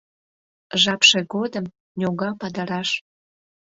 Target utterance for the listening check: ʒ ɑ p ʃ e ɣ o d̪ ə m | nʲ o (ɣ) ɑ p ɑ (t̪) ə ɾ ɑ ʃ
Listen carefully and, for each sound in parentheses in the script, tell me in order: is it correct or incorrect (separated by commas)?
correct, incorrect